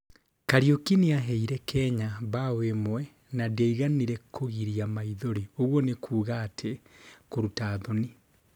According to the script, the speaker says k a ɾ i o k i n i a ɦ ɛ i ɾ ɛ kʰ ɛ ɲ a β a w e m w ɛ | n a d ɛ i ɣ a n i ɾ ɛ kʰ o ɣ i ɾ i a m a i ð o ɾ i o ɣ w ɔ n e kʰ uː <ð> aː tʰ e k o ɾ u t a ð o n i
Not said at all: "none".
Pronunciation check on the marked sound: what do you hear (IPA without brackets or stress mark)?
ɣ